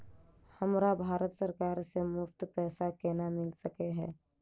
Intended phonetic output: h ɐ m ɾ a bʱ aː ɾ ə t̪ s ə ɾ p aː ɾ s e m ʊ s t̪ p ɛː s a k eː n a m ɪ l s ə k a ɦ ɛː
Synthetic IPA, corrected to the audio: h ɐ m ɾ a bʱ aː ɾ ə t̪ s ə ɾ k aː ɾ s e m ʊ f t̪ p ɛː s a k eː n a m ɪ l s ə k e ɦ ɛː